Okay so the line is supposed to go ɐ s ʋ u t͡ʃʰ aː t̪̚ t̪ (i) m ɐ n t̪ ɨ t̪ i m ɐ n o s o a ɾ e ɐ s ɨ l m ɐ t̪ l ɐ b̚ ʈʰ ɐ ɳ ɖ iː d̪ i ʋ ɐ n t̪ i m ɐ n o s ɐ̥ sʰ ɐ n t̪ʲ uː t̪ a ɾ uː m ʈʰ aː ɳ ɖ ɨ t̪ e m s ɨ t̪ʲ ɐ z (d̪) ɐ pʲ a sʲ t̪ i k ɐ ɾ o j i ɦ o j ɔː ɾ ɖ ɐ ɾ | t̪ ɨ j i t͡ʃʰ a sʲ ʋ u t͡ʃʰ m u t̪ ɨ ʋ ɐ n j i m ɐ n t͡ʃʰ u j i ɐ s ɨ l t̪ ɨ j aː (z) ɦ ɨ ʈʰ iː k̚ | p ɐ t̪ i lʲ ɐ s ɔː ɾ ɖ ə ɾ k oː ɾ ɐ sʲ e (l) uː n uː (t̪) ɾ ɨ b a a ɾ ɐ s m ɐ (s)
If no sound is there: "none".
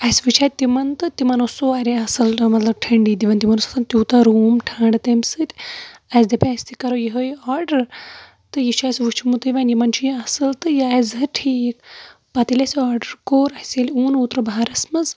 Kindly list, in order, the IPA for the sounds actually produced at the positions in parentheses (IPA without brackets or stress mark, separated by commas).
i, d̪, z, l, t̪, z